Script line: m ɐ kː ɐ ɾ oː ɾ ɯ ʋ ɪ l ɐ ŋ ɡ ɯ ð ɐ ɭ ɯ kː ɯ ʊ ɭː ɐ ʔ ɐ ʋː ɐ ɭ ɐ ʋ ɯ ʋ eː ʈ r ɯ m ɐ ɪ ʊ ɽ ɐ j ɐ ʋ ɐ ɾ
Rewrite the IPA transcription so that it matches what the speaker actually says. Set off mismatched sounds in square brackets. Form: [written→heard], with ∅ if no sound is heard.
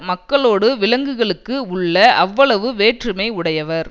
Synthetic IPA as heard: m ɐ kː ɐ [ɾ→ɭ] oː [ɾ→ɽ] ɯ ʋ ɪ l ɐ ŋ ɡ ɯ [ð→ɣ] ɐ ɭ ɯ kː ɯ ʊ ɭː ɐ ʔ ɐ ʋː ɐ ɭ ɐ ʋ ɯ ʋ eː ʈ r ɯ m ɐ ɪ ʊ ɽ ɐ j ɐ ʋ ɐ ɾ